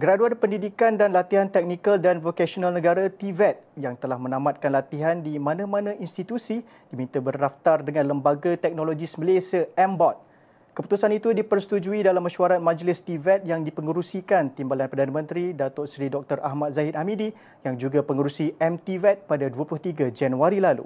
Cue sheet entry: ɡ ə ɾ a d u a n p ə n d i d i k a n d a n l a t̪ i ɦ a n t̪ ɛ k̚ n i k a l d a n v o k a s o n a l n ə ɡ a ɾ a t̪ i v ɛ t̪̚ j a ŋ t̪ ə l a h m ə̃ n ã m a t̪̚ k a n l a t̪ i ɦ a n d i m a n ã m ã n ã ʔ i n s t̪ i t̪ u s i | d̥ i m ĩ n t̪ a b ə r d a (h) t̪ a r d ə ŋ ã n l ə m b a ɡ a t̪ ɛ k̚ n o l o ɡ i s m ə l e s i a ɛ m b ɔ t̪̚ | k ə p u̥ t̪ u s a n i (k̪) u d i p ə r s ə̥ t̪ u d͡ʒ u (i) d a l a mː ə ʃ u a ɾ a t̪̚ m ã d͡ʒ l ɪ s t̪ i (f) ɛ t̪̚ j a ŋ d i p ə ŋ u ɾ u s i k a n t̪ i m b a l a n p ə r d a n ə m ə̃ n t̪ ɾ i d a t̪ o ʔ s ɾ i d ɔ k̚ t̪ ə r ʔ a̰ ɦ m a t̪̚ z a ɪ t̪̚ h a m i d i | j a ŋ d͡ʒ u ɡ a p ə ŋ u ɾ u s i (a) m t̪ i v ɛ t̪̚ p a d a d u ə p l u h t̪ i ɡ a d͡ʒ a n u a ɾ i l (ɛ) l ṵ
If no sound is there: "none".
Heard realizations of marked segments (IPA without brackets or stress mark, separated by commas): f, t̪, i, v, ɛ, a